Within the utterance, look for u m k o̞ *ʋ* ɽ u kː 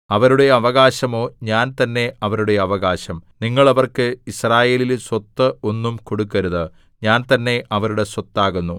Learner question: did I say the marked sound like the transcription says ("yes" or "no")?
no